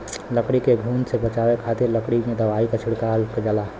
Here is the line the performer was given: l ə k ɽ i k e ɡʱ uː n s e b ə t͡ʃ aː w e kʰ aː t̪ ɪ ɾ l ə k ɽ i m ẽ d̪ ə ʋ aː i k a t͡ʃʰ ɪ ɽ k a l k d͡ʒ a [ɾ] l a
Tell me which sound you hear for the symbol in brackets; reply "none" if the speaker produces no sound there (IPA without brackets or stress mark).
none